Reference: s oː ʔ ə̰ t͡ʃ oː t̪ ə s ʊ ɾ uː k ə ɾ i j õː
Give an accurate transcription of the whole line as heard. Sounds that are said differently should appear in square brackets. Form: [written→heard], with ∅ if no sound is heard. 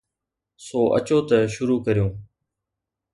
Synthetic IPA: s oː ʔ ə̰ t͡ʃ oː t̪ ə [s→ʃ] ʊ ɾ uː k ə ɾ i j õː